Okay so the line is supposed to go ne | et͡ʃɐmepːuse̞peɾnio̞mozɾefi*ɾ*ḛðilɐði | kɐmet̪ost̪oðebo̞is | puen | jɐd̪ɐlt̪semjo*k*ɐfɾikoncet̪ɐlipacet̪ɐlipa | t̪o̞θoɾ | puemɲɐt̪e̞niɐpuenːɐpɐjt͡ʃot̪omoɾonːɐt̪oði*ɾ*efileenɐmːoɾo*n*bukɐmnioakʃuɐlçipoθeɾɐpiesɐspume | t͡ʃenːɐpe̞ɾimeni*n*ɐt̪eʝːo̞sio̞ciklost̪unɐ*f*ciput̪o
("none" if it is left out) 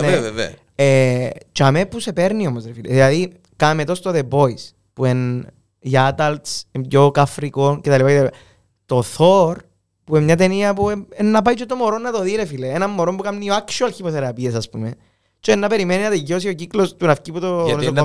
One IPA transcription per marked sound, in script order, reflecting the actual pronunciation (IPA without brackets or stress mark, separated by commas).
l, k, ɾ, m, n, f